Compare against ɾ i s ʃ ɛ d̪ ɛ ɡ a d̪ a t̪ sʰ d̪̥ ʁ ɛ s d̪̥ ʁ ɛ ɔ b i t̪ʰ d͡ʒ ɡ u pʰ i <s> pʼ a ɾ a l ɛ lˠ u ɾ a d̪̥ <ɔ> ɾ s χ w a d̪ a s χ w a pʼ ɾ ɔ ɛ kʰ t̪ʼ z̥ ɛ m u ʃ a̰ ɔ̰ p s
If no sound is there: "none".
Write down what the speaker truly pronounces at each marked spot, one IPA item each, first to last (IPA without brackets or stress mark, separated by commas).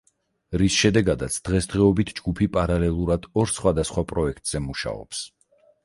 none, ɔ